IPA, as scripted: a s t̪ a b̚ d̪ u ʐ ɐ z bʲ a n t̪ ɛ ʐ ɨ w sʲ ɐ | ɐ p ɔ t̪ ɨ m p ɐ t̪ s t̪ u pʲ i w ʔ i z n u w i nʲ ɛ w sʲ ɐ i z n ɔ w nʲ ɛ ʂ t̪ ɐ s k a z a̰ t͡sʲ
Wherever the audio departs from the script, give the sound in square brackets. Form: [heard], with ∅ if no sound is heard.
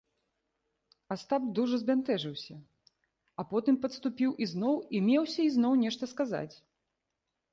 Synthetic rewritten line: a s t̪ a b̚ d̪ u ʐ ɐ z bʲ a n t̪ ɛ ʐ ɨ w sʲ ɐ | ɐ p ɔ t̪ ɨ m p ɐ t̪ s t̪ u pʲ i w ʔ i z n [ɔ] w i [mʲ] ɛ w sʲ ɐ i z n ɔ w nʲ ɛ ʂ t̪ ɐ s k a z a̰ t͡sʲ